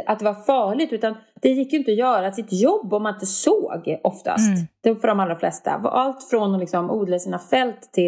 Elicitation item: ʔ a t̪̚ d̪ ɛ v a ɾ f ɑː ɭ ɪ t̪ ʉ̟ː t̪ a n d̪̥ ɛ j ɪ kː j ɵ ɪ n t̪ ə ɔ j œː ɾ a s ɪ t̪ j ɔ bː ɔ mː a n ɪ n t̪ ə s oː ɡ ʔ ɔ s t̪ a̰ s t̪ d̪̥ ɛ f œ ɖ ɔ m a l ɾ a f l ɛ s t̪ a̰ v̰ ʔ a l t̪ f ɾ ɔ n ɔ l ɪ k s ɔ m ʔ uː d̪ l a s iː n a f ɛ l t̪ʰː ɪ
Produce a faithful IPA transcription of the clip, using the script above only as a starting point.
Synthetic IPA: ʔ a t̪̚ d̪ ɛ v a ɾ f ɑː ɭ ɪ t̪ ʉ̟ː t̪ a n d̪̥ ɛ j ɪ kː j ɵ ɪ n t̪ ə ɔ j œː ɾ a s ɪ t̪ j ɔ bː ɔ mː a n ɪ n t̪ ə s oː ɡ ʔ ɔ f t̪ a̰ s t̪ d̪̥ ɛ f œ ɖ ɔ m a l ɾ a f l ɛ s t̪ a̰ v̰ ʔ a l t̪ f ɾ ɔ n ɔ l ɪ k s ɔ m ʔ uː d̪ l a s iː n a f ɛ l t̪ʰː ɪ